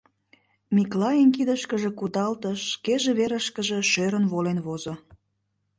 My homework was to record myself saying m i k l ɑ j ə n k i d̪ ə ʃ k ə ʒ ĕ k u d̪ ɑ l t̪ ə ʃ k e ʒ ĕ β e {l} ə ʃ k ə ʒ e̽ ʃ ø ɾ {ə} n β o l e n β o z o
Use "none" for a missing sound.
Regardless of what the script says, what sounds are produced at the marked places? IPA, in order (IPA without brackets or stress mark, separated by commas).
ɾ, ə